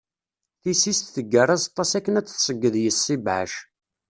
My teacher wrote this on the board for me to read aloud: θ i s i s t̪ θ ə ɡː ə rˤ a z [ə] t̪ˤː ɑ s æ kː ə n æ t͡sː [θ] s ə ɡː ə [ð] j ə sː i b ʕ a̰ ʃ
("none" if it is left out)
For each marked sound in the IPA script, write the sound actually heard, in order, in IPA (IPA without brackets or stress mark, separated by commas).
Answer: ɑ, θ, ð